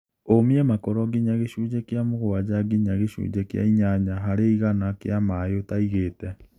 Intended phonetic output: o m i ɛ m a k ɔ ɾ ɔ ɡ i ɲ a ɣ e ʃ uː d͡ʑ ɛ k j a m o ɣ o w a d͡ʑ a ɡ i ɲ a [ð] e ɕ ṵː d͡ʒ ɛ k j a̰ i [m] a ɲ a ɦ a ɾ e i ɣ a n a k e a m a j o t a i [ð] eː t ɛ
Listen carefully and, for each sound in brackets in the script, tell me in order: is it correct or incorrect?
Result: incorrect: ɣ, incorrect: ɲ, incorrect: ɣ

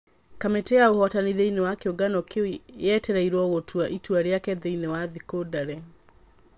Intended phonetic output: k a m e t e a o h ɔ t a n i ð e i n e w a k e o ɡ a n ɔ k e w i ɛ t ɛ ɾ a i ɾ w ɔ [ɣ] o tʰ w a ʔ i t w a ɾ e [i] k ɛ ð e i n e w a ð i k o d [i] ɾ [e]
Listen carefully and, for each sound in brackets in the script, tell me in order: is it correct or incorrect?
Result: correct, incorrect: a, incorrect: a, incorrect: ɛ

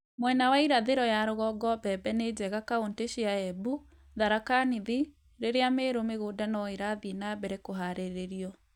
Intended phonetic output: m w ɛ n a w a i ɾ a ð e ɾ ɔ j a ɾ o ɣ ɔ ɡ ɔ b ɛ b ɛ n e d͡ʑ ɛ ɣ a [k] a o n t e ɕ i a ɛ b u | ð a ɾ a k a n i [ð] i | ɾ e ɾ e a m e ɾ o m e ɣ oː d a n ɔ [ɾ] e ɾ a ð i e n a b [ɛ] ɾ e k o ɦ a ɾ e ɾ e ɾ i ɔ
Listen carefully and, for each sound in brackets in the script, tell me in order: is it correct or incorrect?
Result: correct, correct, incorrect: none, correct

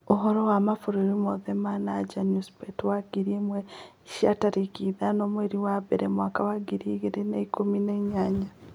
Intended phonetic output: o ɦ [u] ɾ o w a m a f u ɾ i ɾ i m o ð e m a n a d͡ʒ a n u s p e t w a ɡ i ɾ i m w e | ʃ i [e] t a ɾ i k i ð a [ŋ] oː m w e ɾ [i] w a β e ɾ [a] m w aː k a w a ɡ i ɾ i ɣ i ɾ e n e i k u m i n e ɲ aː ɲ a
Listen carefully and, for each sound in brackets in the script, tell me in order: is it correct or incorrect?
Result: incorrect: o, incorrect: a, incorrect: n, correct, incorrect: e

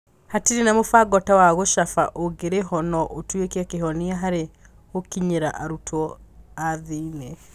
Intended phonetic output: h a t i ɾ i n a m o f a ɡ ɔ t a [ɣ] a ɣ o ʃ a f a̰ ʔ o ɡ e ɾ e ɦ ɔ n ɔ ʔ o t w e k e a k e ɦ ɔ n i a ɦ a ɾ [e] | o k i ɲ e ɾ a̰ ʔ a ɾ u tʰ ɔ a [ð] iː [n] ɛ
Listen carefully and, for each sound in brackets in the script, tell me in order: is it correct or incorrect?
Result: incorrect: w, correct, correct, correct

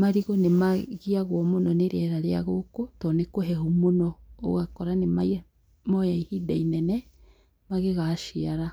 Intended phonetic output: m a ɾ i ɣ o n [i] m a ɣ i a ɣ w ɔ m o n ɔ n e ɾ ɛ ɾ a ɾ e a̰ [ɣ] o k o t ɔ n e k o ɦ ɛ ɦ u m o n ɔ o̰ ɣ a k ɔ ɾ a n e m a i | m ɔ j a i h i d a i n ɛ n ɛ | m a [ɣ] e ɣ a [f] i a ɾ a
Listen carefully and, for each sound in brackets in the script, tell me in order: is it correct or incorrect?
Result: incorrect: e, correct, correct, incorrect: ʃ

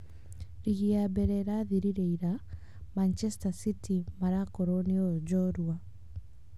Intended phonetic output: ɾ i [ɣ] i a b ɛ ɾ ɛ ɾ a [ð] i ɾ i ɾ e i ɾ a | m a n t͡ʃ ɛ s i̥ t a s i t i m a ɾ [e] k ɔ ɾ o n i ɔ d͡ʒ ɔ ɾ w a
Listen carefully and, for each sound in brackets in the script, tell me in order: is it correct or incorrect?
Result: correct, correct, incorrect: a

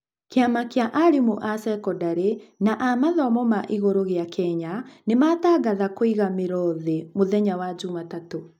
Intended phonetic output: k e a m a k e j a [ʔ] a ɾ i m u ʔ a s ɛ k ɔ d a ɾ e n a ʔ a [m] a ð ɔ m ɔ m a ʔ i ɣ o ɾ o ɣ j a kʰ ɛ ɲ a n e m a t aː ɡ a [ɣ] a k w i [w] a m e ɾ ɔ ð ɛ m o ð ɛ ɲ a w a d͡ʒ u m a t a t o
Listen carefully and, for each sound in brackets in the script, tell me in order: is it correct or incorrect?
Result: correct, correct, incorrect: ð, incorrect: ɣ

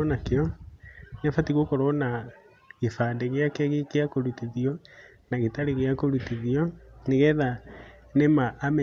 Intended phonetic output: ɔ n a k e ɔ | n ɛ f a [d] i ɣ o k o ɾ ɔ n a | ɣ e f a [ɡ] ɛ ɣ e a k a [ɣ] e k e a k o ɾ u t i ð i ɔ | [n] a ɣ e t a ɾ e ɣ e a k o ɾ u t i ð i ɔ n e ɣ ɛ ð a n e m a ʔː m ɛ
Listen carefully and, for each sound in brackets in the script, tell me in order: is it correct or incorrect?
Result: incorrect: t, incorrect: d, correct, correct

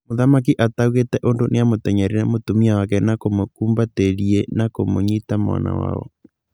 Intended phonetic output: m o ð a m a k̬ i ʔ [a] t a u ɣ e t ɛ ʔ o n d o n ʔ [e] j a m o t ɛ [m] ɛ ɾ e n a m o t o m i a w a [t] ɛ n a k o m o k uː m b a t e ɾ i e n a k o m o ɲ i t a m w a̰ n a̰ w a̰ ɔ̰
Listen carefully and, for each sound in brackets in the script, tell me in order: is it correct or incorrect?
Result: correct, correct, incorrect: ɲ, incorrect: k

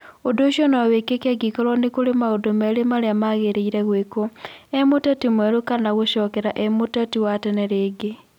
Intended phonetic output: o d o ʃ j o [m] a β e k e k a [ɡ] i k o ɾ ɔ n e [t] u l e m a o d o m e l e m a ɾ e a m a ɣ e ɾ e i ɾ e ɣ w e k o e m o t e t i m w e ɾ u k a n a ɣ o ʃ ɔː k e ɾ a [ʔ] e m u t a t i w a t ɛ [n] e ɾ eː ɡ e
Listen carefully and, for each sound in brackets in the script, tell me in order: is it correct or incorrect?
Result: incorrect: n, correct, incorrect: k, correct, correct

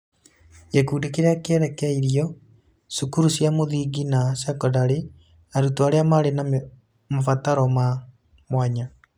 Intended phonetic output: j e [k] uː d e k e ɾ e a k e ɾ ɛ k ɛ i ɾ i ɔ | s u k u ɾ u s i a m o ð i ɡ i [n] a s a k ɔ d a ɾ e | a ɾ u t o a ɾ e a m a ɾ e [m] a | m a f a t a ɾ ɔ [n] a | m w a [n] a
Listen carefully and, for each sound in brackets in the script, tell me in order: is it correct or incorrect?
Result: correct, correct, incorrect: n, incorrect: m, incorrect: ɲ

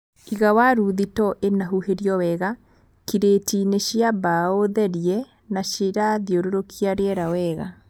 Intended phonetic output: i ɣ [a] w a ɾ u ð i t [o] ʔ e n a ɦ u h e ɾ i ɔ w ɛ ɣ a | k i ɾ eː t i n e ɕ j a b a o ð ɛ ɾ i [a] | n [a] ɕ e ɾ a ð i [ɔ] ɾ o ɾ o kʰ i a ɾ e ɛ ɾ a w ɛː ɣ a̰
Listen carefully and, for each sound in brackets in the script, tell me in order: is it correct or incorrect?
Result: correct, incorrect: ɔ, incorrect: ɛ, correct, incorrect: o

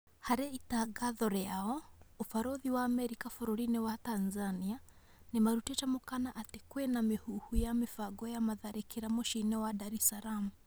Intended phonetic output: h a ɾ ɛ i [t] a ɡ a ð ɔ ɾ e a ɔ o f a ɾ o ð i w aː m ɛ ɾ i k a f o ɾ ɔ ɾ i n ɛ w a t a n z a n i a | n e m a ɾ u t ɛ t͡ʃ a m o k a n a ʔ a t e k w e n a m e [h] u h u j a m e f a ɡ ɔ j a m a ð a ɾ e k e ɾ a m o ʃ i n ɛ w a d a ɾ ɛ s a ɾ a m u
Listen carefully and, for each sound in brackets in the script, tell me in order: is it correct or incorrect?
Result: correct, correct

